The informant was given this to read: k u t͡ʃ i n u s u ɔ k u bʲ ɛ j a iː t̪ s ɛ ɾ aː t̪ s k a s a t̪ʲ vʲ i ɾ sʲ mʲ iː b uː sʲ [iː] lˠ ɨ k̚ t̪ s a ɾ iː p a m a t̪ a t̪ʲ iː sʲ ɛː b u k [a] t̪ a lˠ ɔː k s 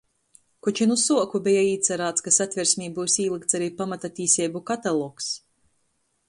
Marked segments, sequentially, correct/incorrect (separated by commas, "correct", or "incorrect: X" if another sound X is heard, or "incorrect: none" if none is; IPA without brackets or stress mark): correct, correct